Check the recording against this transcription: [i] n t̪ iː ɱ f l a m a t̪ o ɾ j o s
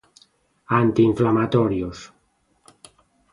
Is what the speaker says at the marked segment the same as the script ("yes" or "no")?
no